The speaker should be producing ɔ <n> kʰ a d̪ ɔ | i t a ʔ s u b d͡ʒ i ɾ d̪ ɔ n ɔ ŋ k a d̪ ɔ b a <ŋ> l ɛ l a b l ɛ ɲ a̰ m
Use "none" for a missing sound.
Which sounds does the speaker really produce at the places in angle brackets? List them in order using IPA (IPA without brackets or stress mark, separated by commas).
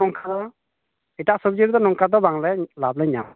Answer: ŋ, ŋ